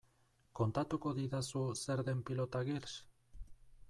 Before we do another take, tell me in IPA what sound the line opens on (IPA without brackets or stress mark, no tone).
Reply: k